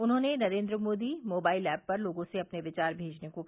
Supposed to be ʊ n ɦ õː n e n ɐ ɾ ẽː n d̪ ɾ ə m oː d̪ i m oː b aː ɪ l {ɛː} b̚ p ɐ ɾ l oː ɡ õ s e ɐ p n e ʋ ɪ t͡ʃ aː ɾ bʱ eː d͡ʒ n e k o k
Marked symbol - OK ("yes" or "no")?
yes